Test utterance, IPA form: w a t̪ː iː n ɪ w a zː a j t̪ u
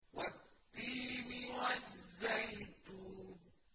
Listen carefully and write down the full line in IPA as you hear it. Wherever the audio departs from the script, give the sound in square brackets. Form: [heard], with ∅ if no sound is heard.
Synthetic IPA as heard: w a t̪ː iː [m] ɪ w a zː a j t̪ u

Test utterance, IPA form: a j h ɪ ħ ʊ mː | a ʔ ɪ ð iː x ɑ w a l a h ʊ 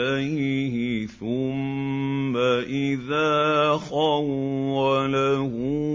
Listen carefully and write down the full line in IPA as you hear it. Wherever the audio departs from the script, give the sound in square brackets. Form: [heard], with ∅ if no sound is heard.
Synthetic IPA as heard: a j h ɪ [θ] ʊ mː | a ʔ ɪ ð [aː] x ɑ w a l a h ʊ

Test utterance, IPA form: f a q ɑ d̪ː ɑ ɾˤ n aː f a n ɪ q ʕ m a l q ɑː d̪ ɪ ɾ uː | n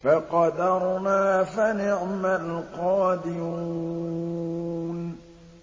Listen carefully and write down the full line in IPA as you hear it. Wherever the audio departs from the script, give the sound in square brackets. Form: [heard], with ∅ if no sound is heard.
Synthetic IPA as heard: f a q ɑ [d̪] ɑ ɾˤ n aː f a n ɪ [∅] ʕ m a l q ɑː d̪ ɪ ɾ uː | n

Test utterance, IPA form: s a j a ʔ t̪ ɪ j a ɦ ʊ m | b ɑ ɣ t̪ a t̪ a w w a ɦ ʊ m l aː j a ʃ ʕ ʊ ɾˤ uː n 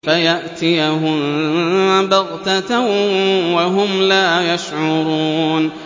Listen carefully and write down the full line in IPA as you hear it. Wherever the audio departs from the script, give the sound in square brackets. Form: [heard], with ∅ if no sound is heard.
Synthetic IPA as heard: [f] a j a ʔ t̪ ɪ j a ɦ ʊ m | b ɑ ɣ t̪ a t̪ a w w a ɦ ʊ m l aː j a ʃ ʕ ʊ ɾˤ uː n

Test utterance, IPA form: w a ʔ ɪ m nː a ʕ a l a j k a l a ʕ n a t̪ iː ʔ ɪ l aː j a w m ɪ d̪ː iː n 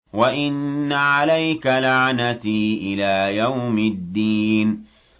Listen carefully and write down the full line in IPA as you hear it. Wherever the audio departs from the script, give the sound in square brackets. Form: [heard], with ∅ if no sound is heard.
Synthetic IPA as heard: w a ʔ ɪ [∅] nː a ʕ a l a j k a l a ʕ n a t̪ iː ʔ ɪ l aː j a w m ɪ d̪ː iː n

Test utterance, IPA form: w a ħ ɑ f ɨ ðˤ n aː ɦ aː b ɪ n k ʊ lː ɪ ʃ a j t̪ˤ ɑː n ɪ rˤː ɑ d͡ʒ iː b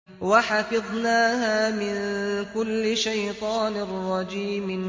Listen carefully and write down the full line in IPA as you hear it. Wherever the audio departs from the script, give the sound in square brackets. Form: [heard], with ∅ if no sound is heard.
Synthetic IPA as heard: w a ħ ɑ f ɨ ðˤ n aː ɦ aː [m] ɪ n k ʊ lː ɪ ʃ a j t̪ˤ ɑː n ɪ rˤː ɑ d͡ʒ iː [m]

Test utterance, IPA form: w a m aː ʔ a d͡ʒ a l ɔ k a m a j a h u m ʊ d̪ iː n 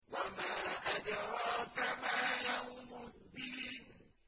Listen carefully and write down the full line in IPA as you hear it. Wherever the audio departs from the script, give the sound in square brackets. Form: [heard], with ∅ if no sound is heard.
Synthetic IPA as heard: w a m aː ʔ a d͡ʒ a [ɾ] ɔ k a m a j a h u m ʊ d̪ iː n

